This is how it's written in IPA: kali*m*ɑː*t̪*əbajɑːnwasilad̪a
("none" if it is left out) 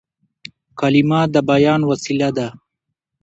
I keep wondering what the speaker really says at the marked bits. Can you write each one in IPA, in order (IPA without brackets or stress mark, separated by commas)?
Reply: m, d̪